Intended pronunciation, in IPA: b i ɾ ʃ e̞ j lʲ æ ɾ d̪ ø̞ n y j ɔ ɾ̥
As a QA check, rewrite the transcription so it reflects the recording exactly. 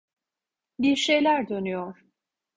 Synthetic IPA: b i ɾ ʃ e̞ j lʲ æ ɾ d̪ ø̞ n y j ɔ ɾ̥